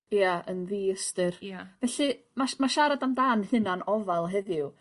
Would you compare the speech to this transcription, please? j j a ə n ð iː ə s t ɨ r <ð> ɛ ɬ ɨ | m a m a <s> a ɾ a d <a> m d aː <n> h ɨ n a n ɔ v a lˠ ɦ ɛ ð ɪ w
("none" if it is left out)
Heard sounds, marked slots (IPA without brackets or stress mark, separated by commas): v, ʃ, a, n